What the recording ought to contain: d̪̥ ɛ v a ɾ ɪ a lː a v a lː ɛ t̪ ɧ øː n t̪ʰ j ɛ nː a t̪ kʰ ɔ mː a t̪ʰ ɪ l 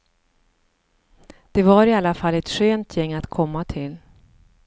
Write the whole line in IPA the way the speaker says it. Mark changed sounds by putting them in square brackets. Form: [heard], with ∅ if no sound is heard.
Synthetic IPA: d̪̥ ɛ v a ɾ ɪ a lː a [f] a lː ɛ t̪ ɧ øː n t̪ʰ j ɛ [ŋː] a t̪ kʰ ɔ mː a t̪ʰ ɪ l